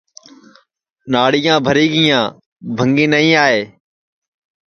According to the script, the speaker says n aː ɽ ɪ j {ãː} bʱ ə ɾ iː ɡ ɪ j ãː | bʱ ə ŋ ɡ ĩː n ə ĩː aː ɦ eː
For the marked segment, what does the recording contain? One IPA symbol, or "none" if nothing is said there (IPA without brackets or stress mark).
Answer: ãː